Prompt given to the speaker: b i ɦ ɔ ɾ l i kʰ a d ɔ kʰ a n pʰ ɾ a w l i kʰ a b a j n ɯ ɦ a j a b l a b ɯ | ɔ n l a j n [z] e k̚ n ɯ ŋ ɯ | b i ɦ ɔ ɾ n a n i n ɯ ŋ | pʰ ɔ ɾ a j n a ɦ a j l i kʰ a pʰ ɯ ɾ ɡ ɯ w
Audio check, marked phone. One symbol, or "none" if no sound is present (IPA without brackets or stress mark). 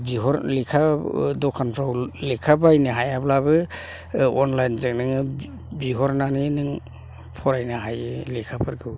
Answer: z